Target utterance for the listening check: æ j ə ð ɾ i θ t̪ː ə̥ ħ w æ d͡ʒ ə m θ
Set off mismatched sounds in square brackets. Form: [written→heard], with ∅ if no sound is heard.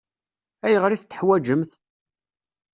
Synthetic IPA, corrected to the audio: æ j ə [ð→ʁ] ɾ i θ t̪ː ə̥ ħ w æ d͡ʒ ə m θ